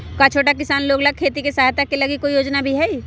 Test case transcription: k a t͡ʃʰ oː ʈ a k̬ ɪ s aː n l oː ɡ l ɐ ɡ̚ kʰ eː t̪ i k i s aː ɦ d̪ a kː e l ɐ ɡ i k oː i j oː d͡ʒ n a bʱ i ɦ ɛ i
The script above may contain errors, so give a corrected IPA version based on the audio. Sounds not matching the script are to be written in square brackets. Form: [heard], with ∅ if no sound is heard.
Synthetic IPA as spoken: k a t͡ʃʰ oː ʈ a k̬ ɪ s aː n l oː ɡ l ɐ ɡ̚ kʰ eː t̪ i k [e] s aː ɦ [t̪] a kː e l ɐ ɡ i k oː i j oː d͡ʒ n a bʱ i ɦ ɛ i